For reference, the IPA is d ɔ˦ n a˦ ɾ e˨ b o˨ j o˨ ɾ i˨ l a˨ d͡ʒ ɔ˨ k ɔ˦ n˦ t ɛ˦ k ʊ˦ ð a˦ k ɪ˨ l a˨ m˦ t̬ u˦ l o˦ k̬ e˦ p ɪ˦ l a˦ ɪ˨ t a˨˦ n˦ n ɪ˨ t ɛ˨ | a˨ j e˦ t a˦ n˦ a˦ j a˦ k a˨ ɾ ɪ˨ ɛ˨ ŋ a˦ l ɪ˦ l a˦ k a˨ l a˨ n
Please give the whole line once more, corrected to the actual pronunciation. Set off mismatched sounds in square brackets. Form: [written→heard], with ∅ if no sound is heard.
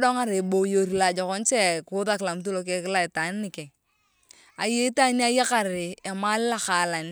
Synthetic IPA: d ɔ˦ [n→ŋ] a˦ ɾ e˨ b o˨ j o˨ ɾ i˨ l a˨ d͡ʒ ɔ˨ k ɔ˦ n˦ [t→t͡ʃ] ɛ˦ k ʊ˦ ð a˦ k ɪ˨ l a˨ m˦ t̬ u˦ l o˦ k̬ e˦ [p→k] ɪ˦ l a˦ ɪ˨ t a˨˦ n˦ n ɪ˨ [t→k] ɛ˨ | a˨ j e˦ t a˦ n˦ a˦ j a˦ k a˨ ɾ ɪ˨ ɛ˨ [ŋ→m] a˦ l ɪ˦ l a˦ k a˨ l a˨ n

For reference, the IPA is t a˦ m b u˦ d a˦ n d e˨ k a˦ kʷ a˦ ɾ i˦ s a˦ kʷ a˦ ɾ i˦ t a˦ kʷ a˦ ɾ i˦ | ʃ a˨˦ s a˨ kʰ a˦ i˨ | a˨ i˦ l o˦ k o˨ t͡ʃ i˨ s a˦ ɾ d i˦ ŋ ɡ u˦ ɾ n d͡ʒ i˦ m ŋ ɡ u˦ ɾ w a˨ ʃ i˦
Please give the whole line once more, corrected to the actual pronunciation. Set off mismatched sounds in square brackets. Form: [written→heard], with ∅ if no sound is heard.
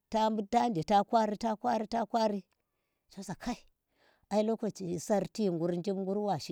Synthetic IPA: t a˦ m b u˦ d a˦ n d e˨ [k→t] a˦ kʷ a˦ ɾ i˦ [s→t] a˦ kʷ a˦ ɾ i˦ t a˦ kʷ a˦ ɾ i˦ | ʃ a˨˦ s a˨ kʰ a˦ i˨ | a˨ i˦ l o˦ k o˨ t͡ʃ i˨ s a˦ ɾ [d→t] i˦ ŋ ɡ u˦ ɾ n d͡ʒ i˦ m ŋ ɡ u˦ ɾ w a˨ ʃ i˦

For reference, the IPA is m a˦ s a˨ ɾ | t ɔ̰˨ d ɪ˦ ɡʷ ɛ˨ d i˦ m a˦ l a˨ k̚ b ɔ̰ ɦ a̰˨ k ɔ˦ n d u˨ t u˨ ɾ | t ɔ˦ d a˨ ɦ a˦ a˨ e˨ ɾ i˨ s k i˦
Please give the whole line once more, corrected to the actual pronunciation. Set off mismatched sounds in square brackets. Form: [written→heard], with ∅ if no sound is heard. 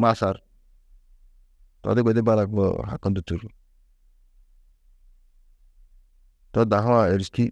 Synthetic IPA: m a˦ s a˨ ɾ | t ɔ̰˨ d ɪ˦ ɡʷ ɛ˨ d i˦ [m→b] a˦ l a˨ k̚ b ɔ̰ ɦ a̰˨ k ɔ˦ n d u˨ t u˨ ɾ | t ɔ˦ d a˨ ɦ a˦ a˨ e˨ ɾ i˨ s k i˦

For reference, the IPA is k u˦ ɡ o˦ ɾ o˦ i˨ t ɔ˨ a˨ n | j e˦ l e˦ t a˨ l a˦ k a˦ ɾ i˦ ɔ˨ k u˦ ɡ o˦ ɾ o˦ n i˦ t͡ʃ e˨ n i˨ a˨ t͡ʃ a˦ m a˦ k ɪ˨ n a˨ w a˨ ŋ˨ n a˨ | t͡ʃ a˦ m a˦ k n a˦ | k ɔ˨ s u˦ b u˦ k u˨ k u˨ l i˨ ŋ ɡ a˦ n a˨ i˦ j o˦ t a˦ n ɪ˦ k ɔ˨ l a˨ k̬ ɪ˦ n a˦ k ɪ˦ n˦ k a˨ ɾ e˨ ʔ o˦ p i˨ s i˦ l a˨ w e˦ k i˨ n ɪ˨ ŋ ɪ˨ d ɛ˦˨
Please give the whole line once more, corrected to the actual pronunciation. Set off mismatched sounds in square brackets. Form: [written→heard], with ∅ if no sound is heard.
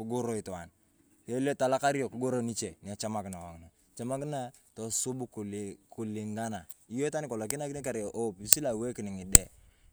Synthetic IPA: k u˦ ɡ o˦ ɾ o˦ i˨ t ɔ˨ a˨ n | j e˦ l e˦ t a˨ l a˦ k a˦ ɾ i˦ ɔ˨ k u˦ ɡ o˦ ɾ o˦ n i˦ t͡ʃ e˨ n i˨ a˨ t͡ʃ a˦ m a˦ k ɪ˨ n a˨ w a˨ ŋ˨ n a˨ | t͡ʃ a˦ m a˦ k n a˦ | [k→t] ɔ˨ s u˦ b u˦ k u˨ k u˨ l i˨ ŋ ɡ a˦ n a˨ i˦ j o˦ t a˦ n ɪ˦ k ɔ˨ l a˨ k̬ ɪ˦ n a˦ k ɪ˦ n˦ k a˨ ɾ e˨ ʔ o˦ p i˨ s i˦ l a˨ w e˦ k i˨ n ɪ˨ ŋ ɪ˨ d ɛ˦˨

